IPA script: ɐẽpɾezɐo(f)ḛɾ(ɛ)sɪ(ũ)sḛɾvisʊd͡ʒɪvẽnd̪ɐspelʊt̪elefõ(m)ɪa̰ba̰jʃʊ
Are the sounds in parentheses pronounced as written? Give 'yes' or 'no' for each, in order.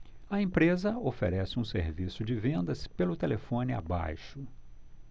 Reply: yes, yes, yes, no

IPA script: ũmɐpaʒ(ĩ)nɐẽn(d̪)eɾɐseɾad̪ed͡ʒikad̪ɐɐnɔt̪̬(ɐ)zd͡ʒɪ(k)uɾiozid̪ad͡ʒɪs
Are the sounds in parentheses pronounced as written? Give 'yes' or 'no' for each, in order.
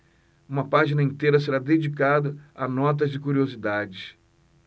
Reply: no, no, yes, yes

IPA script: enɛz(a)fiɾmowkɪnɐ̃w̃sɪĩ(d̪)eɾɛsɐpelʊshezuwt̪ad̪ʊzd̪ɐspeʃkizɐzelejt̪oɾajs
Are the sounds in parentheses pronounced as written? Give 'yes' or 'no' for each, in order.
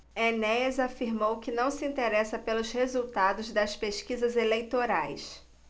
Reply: yes, no

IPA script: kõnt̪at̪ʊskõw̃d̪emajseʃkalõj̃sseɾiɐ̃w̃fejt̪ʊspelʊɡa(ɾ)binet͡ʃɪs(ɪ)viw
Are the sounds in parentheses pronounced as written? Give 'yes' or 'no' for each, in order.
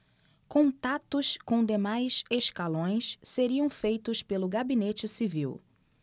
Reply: no, no

